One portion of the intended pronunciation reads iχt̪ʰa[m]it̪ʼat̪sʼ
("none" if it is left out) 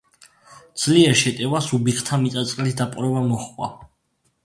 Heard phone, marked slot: m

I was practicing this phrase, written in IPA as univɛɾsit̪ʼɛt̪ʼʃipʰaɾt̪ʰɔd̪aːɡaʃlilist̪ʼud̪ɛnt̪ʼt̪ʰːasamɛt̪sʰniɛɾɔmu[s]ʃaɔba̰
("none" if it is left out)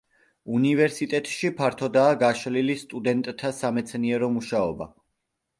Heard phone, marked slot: none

